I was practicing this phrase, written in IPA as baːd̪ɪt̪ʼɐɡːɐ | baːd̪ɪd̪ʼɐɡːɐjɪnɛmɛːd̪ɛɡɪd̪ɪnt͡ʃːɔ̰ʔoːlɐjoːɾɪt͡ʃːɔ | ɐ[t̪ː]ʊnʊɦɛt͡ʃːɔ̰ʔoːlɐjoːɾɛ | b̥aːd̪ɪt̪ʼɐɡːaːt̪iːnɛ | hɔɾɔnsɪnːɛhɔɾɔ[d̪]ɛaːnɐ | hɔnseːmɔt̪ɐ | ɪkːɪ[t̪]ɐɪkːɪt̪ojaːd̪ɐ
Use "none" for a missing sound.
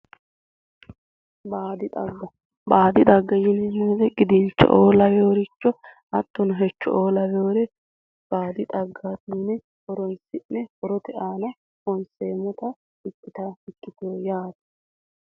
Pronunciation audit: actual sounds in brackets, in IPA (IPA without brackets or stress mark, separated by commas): t̪ː, t̪, t̪